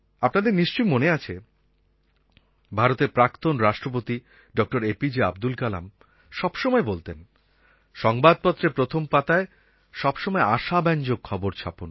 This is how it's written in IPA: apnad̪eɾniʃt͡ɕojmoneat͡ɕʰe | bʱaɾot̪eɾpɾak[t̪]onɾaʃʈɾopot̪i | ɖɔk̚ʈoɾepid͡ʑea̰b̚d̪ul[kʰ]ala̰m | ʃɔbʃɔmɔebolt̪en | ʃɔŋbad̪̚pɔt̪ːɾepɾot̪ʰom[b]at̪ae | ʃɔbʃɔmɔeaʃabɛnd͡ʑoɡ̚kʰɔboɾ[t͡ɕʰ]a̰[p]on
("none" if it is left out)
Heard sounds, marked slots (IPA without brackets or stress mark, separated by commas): t̪, k, p, t͡ɕʰ, p